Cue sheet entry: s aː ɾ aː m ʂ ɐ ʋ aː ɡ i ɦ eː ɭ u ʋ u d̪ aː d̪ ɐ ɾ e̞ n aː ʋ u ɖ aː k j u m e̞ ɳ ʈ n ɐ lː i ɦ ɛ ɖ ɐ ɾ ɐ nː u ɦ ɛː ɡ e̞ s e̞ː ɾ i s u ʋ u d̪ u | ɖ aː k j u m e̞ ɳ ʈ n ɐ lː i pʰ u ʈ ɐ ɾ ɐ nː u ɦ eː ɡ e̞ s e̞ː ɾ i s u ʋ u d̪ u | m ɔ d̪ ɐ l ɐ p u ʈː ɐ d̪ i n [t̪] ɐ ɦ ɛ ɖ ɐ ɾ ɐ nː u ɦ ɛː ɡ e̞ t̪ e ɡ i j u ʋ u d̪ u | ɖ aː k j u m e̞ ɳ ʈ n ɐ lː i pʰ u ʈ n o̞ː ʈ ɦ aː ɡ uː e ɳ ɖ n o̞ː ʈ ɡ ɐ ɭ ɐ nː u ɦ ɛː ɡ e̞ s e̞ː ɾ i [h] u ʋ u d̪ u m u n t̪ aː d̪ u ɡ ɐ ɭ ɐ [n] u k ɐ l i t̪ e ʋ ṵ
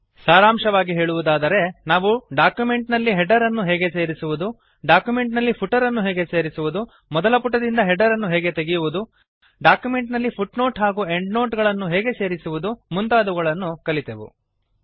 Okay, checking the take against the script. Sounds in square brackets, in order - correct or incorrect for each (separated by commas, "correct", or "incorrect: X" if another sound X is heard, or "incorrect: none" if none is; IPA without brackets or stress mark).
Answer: incorrect: d̪, incorrect: s, incorrect: nː